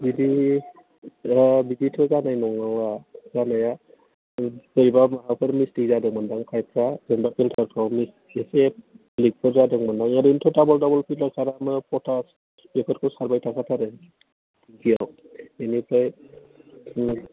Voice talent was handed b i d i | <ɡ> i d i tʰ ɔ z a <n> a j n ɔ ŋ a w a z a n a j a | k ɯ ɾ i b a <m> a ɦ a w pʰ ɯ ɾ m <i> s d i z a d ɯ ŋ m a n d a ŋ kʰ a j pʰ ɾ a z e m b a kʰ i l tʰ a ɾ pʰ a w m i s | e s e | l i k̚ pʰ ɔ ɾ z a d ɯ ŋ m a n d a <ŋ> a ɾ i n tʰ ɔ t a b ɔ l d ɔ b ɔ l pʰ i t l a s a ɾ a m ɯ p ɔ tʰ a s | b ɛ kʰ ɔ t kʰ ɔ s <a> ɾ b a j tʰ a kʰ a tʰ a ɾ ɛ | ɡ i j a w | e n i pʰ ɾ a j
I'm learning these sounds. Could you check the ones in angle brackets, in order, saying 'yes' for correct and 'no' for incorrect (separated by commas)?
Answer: no, yes, yes, yes, yes, yes